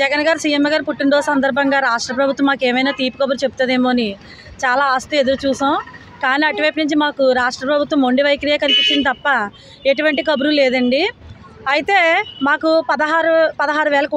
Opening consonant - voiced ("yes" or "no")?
yes